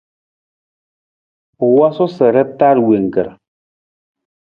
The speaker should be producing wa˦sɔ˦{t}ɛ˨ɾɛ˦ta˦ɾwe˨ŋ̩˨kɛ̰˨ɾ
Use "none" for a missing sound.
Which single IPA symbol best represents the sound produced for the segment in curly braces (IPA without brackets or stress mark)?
s